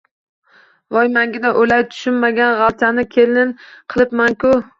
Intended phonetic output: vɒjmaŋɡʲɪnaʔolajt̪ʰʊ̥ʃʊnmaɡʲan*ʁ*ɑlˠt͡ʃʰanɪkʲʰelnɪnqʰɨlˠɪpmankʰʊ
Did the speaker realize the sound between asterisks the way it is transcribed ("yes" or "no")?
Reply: yes